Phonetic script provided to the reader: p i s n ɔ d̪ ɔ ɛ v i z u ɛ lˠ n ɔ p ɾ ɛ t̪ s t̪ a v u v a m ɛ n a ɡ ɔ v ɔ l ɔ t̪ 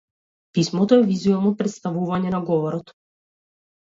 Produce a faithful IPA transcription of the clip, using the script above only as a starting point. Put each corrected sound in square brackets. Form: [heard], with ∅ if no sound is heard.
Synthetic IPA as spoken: p i s [m] ɔ [t̪] ɔ ɛ v i z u ɛ lˠ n ɔ p ɾ ɛ t̪ s t̪ a v u v a [ɲ] ɛ n a ɡ ɔ v ɔ [ɾ] ɔ t̪